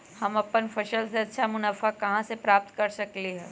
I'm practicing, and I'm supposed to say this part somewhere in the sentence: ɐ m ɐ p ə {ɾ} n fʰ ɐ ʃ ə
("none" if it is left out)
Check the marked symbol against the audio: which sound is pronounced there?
none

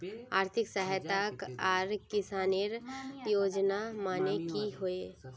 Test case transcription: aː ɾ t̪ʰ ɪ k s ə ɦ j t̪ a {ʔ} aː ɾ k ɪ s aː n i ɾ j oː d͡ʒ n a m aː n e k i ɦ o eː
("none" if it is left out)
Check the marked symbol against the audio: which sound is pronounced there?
k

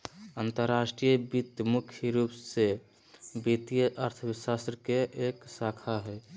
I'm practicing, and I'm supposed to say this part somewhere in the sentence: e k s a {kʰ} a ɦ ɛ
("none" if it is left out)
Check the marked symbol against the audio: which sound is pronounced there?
kʰ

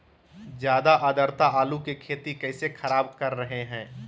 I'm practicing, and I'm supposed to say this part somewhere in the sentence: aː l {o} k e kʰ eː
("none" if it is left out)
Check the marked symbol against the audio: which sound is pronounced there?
u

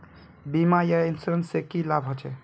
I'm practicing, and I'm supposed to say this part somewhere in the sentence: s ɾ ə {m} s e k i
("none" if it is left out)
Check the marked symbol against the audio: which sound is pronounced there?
n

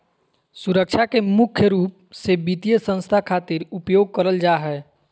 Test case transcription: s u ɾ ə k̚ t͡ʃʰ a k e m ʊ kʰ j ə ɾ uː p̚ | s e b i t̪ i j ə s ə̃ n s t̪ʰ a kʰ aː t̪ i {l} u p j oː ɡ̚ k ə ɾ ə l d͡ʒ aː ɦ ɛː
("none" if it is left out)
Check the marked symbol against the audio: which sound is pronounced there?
ɾ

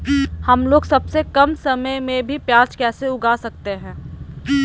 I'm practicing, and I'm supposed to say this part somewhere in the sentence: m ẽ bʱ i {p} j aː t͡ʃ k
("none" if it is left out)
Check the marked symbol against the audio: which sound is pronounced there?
p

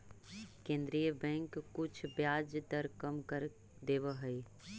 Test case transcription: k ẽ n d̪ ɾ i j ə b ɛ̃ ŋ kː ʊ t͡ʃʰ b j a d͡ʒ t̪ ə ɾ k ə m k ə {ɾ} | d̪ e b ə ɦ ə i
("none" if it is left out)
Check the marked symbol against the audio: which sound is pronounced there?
ɾ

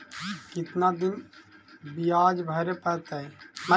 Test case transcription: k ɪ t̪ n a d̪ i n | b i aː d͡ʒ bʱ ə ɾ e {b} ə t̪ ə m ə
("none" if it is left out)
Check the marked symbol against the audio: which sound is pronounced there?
p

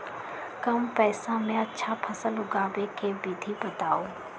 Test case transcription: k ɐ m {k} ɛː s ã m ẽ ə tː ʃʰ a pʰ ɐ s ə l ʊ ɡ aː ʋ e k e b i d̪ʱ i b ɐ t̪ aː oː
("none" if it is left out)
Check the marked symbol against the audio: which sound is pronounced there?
p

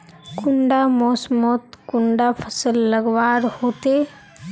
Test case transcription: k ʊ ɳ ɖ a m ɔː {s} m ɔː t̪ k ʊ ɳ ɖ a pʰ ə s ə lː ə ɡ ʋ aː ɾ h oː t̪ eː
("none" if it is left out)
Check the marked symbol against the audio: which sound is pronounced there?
s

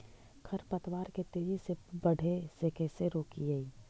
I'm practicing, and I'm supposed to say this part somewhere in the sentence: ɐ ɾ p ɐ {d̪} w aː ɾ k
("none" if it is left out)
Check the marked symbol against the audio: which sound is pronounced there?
t̪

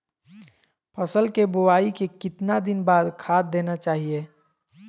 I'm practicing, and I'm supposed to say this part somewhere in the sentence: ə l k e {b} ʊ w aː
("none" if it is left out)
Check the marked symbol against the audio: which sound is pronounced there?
b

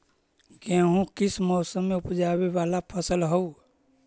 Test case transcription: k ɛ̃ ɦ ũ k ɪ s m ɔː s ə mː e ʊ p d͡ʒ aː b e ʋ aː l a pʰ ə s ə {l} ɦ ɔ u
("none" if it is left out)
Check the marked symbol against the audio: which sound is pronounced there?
l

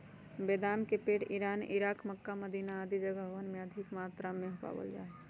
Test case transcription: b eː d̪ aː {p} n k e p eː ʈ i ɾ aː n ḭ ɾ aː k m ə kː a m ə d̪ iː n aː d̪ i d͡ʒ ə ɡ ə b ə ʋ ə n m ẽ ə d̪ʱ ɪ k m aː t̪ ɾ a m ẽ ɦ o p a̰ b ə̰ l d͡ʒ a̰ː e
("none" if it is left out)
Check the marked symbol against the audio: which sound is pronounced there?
none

